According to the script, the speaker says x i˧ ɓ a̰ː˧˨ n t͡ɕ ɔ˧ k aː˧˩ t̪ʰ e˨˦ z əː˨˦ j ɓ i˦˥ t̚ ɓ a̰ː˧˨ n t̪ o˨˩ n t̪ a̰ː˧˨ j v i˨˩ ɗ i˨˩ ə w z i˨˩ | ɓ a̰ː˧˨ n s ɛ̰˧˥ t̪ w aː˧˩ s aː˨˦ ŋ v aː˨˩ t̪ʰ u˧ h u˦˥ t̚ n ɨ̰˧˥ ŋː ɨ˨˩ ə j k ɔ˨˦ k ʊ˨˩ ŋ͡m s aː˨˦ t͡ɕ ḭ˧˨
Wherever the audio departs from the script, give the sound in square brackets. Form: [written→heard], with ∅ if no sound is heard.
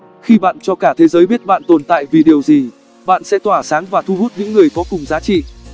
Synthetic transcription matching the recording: x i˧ ɓ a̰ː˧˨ n t͡ɕ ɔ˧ k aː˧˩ t̪ʰ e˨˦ z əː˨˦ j ɓ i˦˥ t̚ ɓ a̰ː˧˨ n t̪ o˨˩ n t̪ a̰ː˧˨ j v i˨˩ ɗ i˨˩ ə w z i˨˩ | ɓ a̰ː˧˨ n s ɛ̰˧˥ t̪ w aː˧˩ s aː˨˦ ŋ v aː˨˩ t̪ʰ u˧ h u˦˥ t̚ [n→ɲ] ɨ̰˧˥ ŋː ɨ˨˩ ə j k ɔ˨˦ k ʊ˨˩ ŋ͡m [s→z] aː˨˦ t͡ɕ ḭ˧˨